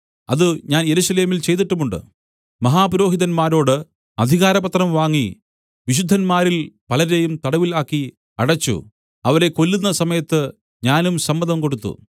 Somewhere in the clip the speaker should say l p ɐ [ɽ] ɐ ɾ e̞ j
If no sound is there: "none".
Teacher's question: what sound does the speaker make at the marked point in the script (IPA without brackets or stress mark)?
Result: l